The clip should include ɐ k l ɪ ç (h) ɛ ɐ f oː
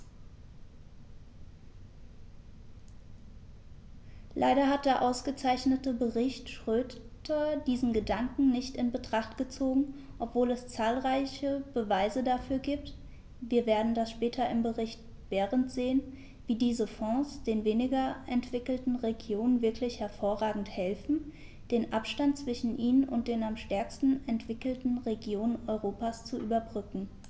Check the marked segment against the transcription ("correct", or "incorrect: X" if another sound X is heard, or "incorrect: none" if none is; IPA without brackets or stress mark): correct